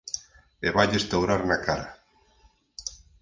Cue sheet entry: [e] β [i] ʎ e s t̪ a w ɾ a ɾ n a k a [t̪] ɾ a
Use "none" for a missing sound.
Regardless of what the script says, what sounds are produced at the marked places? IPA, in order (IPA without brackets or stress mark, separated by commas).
e, a, none